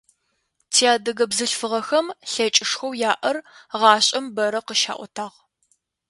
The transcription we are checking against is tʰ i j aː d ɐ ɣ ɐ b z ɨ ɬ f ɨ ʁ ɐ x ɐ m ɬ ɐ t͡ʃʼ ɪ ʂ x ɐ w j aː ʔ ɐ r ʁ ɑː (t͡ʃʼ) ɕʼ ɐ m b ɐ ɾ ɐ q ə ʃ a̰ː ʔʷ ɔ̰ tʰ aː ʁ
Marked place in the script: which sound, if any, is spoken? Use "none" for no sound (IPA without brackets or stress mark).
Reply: none